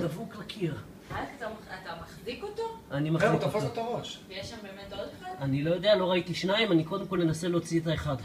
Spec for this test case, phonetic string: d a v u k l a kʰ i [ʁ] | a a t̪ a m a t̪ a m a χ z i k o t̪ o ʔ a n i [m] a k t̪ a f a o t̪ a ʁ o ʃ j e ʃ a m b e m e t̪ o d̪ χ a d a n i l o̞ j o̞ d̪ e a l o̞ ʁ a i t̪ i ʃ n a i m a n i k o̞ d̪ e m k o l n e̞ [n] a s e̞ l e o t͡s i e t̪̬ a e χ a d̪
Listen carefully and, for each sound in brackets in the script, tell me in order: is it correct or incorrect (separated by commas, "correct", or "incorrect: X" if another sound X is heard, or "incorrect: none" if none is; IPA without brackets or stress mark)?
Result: correct, correct, correct